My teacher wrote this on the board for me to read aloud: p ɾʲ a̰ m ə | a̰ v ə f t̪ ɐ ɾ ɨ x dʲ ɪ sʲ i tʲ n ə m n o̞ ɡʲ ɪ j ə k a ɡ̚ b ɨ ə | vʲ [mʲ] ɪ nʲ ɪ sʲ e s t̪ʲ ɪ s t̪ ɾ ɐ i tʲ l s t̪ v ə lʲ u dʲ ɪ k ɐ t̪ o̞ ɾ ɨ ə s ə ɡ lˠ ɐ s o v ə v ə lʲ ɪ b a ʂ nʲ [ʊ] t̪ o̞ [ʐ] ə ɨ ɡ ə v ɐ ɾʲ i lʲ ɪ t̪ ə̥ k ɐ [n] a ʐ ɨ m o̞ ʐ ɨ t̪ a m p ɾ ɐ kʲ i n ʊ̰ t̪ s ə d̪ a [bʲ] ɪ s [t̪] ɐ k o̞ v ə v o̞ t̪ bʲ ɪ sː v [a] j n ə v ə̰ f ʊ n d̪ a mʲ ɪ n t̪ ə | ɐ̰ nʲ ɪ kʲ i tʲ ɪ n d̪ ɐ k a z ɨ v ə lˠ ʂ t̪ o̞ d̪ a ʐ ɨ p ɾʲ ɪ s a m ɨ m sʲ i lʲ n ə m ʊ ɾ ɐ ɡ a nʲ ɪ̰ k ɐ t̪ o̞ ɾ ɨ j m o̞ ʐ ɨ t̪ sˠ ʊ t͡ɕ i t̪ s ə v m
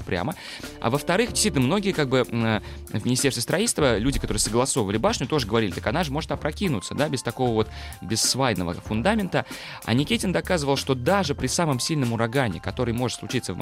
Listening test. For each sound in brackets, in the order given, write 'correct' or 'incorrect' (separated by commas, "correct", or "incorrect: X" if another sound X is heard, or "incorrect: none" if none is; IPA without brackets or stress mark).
correct, correct, correct, correct, correct, correct, correct